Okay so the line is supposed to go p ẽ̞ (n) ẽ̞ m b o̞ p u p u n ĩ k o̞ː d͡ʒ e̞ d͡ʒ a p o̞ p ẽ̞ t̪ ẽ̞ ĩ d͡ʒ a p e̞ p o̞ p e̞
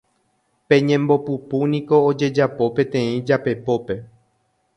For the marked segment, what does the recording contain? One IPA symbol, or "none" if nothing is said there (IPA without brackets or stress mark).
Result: ɲ